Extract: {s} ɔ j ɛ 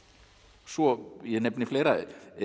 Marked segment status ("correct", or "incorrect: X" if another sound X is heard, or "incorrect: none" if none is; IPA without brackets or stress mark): correct